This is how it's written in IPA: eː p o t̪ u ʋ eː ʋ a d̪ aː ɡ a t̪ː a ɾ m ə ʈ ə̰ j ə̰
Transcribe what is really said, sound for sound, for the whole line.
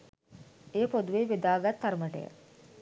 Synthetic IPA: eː p o d̪ u ʋ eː ʋ e d̪ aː ɡ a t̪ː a ɾ m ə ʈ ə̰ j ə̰